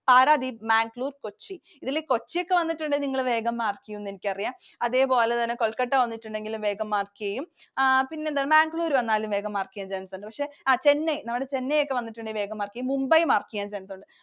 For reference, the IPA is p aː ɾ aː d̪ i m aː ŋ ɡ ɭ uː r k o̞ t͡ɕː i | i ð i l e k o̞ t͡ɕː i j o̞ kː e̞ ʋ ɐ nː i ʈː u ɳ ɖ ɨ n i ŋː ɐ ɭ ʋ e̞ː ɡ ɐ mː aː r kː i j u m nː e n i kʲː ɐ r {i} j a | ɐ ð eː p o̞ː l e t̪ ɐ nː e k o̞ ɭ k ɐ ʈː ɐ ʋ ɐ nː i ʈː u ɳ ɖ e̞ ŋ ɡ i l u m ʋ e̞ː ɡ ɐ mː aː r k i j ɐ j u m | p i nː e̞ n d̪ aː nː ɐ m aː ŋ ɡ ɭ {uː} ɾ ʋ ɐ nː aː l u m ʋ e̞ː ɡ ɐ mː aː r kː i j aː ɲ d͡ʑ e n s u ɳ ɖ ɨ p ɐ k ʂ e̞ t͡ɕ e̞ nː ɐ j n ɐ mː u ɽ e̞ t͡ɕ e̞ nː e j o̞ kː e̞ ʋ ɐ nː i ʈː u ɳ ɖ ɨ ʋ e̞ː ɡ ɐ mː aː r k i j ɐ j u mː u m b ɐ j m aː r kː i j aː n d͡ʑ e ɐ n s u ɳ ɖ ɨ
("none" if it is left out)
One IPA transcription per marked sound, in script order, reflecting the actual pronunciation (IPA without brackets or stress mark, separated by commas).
i, uː